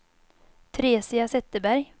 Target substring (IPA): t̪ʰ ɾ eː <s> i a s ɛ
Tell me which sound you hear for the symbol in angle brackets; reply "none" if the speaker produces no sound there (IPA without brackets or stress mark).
s